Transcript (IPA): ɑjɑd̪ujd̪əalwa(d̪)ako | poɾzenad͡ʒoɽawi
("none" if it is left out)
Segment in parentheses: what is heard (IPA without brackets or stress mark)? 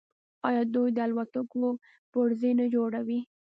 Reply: t̪